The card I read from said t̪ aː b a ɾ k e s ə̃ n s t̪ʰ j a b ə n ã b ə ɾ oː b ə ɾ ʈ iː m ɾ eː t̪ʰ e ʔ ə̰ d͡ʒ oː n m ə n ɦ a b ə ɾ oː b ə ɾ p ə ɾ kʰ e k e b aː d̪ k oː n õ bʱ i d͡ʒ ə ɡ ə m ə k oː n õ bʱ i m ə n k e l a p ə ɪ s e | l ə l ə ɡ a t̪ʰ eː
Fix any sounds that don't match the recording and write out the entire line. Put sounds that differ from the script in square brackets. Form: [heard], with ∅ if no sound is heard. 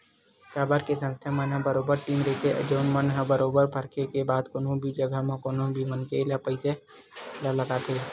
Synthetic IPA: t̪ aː b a ɾ k e s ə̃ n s t̪ʰ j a [m] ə n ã b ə ɾ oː b ə ɾ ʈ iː m ɾ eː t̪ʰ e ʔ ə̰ d͡ʒ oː n m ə n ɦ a b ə ɾ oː b ə ɾ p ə ɾ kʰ e k e b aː d̪ k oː n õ bʱ i d͡ʒ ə ɡ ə m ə k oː n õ bʱ i m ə n k e l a p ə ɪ s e | l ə l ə ɡ a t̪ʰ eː